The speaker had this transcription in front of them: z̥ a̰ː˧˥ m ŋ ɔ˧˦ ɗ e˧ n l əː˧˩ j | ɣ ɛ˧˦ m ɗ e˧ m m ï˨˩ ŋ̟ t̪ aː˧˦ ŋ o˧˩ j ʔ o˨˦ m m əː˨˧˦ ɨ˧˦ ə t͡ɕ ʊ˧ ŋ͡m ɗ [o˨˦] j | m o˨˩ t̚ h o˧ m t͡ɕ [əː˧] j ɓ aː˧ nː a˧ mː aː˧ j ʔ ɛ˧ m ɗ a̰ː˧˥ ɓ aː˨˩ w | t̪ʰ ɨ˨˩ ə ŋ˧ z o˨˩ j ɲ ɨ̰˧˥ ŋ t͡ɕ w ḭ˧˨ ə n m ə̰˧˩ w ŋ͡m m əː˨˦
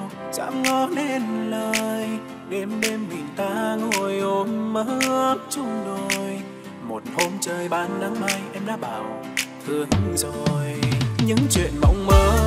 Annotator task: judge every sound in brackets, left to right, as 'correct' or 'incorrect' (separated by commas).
incorrect, correct